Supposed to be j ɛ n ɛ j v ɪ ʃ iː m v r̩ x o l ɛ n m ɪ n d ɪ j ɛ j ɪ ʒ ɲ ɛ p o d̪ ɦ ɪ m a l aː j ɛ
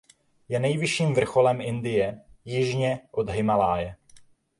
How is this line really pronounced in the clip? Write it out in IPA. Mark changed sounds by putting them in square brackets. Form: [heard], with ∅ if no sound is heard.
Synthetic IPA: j ɛ n ɛ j v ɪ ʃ iː m v r̩ x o l ɛ [∅] m ɪ n d ɪ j ɛ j ɪ ʒ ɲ ɛ [ʔ] o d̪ ɦ ɪ m a l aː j ɛ